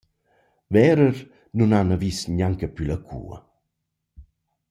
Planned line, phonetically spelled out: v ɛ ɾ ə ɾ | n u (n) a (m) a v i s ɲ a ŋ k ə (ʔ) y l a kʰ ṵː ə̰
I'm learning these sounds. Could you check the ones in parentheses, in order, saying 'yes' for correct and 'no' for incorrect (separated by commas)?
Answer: yes, no, no